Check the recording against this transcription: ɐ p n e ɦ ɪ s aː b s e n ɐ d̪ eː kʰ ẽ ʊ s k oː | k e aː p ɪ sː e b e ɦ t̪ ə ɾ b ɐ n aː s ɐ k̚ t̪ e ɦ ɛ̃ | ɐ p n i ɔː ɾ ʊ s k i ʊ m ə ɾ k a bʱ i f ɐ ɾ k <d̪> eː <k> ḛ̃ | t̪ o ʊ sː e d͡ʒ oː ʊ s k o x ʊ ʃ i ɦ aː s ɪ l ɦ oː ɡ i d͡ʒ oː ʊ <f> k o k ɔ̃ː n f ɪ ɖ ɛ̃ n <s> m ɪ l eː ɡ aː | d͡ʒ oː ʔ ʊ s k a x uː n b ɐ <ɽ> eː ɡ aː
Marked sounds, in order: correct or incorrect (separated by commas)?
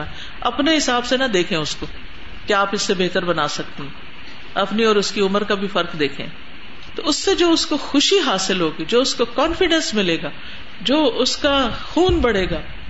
correct, incorrect, incorrect, correct, correct